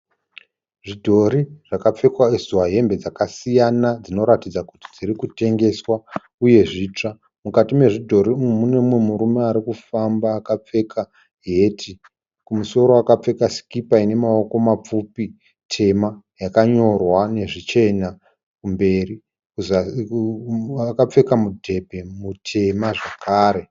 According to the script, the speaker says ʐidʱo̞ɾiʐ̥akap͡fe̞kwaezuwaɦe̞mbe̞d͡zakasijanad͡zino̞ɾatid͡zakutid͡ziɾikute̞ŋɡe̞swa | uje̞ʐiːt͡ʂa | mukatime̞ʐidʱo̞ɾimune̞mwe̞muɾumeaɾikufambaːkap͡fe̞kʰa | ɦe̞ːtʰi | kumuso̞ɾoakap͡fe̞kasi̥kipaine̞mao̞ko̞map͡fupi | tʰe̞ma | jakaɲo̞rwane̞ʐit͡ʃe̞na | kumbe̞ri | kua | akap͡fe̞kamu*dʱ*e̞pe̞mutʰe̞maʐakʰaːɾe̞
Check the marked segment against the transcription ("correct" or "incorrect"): correct